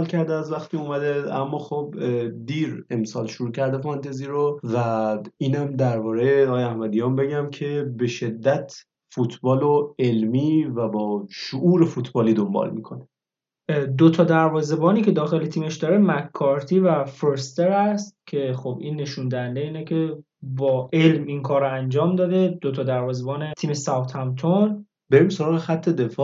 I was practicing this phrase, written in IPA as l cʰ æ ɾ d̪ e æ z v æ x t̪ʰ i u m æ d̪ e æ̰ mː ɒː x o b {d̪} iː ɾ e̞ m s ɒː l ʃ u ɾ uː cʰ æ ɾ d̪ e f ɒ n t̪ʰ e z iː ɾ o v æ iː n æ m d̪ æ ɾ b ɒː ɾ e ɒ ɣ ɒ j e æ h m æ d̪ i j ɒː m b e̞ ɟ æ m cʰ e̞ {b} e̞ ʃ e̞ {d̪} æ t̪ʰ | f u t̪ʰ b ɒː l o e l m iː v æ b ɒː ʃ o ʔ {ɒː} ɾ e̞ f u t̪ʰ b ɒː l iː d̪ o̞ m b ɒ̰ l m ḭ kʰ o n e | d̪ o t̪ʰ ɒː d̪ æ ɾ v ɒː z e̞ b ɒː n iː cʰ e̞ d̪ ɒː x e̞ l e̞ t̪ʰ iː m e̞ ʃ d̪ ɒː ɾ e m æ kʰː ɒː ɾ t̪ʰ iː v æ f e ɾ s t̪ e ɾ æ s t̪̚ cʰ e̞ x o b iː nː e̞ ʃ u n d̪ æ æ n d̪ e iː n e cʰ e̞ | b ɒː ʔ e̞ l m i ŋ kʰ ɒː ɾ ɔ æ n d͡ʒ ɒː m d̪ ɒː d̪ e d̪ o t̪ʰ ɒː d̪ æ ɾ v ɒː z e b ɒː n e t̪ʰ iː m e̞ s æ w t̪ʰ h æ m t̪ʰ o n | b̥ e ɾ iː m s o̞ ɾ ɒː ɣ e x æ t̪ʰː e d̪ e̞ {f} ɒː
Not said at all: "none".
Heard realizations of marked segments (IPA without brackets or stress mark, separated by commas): d̪, b, d̪ː, uː, f